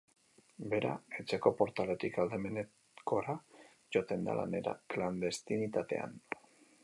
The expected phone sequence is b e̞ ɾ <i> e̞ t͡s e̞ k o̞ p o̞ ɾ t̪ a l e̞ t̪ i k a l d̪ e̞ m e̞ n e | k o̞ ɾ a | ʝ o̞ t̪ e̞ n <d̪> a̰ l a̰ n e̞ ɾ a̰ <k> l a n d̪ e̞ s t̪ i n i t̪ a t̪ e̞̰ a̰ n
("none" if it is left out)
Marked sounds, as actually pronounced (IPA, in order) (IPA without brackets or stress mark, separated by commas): a, d̪, k